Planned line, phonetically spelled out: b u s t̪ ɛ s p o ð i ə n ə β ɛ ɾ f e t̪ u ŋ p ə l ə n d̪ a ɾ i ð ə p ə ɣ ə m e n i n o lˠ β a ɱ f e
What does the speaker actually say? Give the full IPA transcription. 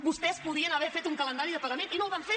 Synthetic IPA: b u s t̪ ɛ s p u ð i ə n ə β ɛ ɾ f e t̪ u ŋ k ə l ə n d̪ a ɾ i ð ə p ə ɣ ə m e n i n o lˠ β a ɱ f e